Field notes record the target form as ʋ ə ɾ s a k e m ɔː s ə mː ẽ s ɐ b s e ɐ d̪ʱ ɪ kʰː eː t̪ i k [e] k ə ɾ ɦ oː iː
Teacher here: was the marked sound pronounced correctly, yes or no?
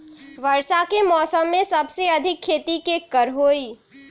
yes